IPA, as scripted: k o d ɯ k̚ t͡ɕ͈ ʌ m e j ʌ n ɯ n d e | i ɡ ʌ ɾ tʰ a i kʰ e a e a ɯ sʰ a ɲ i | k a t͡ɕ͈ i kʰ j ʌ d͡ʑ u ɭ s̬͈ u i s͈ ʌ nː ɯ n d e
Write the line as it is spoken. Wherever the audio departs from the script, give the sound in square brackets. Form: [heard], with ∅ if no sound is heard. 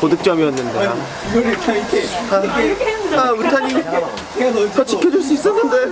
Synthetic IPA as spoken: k o d ɯ k̚ t͡ɕ͈ ʌ m [i] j ʌ [nː] ɯ n d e | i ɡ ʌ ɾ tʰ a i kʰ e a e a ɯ [tʰ] a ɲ i | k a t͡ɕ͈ i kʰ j ʌ d͡ʑ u ɭ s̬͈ u i s͈ ʌ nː ɯ n d e